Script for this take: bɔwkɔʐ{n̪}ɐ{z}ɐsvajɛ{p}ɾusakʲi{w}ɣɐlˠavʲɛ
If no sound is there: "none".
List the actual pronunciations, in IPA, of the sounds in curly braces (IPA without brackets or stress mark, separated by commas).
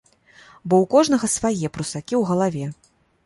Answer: n̪, ɣ, p, w